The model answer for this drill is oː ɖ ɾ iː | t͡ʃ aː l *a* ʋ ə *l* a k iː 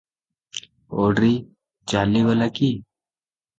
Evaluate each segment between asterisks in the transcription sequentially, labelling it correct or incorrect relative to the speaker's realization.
incorrect, correct

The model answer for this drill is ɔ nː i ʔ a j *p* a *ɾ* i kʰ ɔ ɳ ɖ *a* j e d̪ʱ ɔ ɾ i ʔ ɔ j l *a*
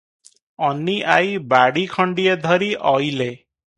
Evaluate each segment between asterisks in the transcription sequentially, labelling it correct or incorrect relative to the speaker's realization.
incorrect, incorrect, incorrect, incorrect

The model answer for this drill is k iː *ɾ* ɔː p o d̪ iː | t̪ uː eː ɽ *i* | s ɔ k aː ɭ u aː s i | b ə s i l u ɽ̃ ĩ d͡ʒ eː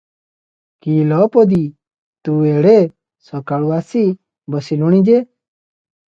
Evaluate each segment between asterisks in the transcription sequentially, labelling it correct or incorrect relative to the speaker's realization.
incorrect, incorrect

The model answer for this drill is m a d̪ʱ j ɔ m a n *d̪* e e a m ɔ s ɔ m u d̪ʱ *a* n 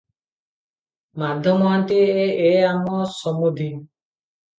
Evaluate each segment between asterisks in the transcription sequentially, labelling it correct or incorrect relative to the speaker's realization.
incorrect, incorrect

